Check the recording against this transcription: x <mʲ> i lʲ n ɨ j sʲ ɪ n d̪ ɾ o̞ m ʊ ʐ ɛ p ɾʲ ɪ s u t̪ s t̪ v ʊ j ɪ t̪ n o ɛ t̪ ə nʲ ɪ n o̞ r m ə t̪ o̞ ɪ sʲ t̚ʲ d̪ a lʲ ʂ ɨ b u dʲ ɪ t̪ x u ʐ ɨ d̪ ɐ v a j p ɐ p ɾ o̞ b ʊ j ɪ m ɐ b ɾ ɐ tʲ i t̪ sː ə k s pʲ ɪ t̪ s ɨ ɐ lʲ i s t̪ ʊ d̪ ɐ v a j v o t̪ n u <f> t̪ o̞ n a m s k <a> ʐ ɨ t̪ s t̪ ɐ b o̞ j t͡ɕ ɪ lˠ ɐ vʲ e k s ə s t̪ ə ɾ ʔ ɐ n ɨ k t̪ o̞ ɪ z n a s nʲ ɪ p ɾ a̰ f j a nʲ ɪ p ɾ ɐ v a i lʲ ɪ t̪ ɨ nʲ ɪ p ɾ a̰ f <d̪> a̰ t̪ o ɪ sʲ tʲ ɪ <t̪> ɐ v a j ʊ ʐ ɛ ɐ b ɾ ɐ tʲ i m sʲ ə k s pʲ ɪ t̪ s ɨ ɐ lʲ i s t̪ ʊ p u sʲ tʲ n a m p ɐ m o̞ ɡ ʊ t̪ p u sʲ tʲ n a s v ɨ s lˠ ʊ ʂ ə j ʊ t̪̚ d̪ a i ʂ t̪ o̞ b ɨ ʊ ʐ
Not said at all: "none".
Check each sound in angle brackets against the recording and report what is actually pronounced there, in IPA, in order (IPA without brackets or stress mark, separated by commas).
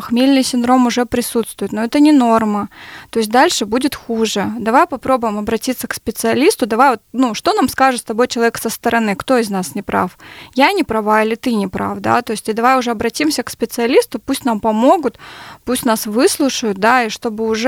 mʲ, ʂ, a, d̪, d̪